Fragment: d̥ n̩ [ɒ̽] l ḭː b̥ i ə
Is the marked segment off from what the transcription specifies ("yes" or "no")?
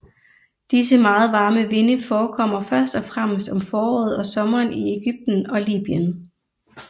no